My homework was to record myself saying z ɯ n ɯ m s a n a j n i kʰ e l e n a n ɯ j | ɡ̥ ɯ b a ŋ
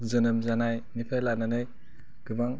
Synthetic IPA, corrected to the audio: z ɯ n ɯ m z a n a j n i pʰ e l a n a n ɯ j | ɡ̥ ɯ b a ŋ